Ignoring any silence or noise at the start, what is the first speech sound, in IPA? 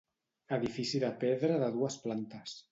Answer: ə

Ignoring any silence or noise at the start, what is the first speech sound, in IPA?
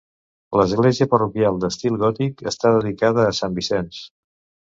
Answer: l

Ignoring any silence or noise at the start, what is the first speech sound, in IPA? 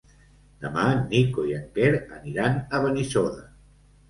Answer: d̪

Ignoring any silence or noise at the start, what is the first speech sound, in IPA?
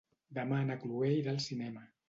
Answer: d̪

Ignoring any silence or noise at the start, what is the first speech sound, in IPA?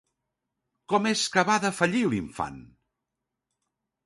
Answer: k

